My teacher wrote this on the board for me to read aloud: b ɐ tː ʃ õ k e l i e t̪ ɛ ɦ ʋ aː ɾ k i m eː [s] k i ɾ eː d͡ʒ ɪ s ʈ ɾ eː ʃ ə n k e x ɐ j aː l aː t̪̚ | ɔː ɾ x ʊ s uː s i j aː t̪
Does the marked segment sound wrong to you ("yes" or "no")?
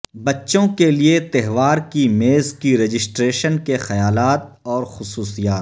yes